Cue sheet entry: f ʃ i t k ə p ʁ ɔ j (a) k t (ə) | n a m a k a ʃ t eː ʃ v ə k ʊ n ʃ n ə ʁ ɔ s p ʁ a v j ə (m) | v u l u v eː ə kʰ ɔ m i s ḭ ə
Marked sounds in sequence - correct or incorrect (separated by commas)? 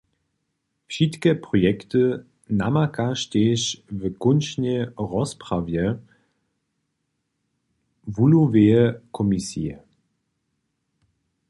incorrect, correct, incorrect